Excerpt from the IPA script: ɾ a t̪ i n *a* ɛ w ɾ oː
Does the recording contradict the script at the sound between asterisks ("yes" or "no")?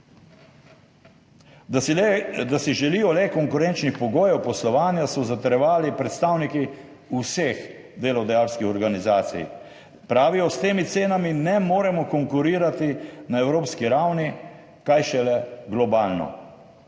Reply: no